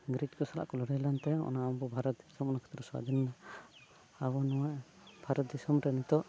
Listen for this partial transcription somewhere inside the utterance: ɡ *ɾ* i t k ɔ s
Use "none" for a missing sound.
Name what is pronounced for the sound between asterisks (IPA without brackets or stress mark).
ɾ